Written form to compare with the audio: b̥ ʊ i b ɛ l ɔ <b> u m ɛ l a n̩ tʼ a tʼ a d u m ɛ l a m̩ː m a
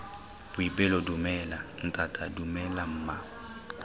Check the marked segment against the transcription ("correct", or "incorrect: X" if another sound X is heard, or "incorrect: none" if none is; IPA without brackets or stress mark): incorrect: d